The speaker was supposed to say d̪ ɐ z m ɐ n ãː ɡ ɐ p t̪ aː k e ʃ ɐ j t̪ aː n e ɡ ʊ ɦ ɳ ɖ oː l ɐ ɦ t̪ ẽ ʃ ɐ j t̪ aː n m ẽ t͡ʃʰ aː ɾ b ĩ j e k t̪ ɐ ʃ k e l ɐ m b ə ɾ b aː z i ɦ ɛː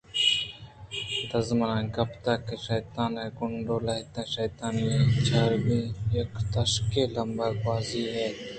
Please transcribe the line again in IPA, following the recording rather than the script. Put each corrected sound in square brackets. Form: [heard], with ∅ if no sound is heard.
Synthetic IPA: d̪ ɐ z m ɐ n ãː ɡ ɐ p t̪ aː k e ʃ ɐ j t̪ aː n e ɡ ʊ [∅] ɳ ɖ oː l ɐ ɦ t̪ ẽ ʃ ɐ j t̪ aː n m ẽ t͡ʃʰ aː ɾ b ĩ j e k t̪ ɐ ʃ k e l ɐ m b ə ɾ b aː z i ɦ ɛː